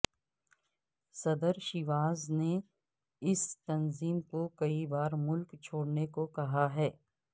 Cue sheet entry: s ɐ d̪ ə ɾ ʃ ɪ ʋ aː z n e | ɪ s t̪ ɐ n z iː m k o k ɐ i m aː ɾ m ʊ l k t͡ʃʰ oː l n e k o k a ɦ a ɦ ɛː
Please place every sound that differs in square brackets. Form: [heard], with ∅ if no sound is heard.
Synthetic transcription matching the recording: s ɐ d̪ ə ɾ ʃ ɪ ʋ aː z n e | ɪ s t̪ ɐ n z iː m k o k ɐ i [b] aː ɾ m ʊ l k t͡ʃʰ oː [ɽ] n e k o k [ɐ] ɦ a ɦ ɛː